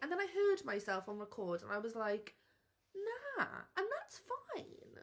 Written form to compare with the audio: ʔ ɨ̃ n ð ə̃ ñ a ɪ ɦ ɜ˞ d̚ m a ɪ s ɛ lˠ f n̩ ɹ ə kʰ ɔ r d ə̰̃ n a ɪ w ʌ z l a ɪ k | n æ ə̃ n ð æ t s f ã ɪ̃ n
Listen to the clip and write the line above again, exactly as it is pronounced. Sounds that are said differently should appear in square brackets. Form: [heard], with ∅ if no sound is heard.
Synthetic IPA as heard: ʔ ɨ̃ n ð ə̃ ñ a ɪ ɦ ɜ˞ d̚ m a ɪ s ɛ lˠ f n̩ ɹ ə kʰ ɔ [ɹ] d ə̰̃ n a ɪ w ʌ z l a ɪ k | n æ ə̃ n ð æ t s f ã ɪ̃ n